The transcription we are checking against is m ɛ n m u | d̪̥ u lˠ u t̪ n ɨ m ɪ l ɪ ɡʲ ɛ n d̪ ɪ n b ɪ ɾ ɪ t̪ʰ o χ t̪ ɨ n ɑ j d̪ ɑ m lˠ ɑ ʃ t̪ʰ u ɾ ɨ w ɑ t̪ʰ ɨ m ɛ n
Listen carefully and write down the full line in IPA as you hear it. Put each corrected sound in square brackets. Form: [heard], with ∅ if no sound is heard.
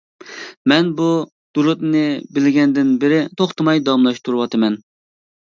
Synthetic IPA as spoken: m ɛ n [b] u | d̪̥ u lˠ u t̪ n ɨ [b] ɪ l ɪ ɡʲ ɛ n d̪ ɪ n b ɪ ɾ ɪ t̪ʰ o χ t̪ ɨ [m] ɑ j d̪ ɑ m lˠ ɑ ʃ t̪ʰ u ɾ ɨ w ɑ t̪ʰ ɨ m ɛ n